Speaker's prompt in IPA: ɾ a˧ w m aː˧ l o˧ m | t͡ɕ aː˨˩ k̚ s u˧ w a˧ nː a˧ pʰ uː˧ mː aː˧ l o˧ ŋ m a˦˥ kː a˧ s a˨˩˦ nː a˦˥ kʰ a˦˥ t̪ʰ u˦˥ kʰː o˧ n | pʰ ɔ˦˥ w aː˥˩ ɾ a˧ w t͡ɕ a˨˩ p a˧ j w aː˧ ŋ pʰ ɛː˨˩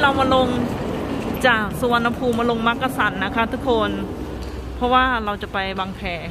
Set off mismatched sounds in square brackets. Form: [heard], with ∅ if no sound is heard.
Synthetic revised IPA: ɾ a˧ w m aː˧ l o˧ [ŋ] | t͡ɕ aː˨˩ k̚ s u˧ w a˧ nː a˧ pʰ uː˧ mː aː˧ l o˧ ŋ m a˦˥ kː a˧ s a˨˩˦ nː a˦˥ kʰ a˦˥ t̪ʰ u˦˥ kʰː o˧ n | pʰ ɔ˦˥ w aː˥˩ ɾ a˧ w t͡ɕ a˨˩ p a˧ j w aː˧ ŋ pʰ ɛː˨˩